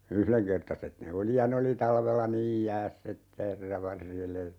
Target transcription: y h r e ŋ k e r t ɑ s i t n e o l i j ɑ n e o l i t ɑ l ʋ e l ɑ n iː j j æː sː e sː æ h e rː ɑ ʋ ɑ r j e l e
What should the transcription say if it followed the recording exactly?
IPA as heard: y h l e ŋ k e r t ɑ s e t n e o l i j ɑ n e o l i t ɑ l ʋ e lː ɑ n iː j j æː sː e tː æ h e rː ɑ ʋ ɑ r j e l e